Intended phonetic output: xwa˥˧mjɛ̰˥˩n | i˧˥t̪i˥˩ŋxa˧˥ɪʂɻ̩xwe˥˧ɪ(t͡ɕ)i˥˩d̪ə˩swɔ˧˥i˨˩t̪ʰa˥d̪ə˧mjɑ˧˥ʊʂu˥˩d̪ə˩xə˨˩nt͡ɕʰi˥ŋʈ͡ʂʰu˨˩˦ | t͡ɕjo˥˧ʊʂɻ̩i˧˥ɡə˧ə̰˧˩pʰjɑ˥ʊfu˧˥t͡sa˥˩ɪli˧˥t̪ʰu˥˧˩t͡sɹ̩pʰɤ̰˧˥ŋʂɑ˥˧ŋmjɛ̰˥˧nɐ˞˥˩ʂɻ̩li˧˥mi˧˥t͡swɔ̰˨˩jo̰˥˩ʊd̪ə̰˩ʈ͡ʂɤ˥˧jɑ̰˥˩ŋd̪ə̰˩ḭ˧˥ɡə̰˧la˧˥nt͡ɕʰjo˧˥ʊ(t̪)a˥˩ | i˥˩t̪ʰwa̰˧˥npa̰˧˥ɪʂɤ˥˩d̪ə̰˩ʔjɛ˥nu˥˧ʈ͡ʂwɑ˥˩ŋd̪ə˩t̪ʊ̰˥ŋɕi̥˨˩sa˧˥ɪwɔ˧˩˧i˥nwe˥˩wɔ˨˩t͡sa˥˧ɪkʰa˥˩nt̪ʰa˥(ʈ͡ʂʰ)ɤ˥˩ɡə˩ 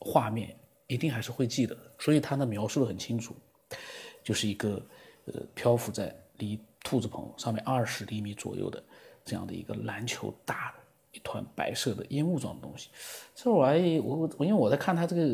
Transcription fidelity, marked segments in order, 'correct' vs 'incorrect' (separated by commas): correct, correct, incorrect